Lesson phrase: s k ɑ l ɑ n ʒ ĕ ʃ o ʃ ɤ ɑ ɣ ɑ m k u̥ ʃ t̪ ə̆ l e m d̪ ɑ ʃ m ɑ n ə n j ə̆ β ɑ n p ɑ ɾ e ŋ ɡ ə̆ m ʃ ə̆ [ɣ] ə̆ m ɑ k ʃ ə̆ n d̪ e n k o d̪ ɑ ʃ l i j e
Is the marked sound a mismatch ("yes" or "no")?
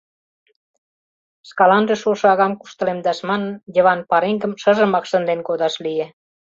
yes